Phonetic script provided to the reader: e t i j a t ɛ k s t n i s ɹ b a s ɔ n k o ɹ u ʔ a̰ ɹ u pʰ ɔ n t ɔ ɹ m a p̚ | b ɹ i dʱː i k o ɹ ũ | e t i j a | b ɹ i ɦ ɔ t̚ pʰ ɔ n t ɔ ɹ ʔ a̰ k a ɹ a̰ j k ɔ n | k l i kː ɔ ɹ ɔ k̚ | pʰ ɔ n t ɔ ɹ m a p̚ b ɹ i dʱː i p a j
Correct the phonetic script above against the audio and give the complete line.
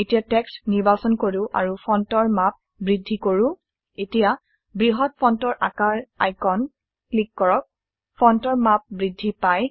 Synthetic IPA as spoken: e t i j a t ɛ k s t n i ɹ b a s ɔ n k o ɹ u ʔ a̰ ɹ u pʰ ɔ n t ɔ ɹ m a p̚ | b ɹ i dʱː i k o ɹ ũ | e t i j a | b ɹ i ɦ ɔ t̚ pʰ ɔ n t ɔ ɹ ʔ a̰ k a ɹ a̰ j k ɔ n | k l i kː ɔ ɹ ɔ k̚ | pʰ ɔ n t ɔ ɹ m a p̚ b ɹ i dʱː i p a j